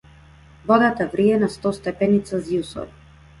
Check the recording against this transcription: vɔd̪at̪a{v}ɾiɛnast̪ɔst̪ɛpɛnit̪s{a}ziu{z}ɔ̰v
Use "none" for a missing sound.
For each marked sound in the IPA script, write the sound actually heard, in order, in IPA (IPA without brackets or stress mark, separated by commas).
v, a, s